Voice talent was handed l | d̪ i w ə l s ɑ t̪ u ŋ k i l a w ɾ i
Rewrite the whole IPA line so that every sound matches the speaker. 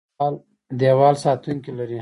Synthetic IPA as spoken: l | d̪ e w ɑ l s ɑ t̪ u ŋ k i l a ɾ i